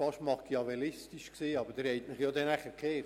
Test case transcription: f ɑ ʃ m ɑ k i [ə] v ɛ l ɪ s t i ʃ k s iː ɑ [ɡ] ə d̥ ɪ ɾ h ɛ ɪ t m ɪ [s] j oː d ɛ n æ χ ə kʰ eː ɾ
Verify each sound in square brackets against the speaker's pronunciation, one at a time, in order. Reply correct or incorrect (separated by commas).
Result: incorrect, incorrect, incorrect